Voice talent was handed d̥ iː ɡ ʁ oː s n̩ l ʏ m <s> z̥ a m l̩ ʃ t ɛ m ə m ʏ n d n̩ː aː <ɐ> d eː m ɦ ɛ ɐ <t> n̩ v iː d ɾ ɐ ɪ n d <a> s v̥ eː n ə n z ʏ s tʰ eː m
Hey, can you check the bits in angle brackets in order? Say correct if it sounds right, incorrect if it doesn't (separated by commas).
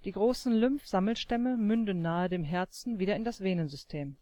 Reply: incorrect, incorrect, incorrect, correct